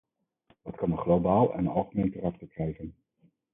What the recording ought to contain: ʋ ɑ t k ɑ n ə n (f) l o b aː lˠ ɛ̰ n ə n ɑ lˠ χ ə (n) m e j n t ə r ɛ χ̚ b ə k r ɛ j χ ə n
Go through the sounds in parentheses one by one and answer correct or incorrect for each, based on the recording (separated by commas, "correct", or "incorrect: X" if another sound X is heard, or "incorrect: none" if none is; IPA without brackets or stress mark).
incorrect: χ, incorrect: none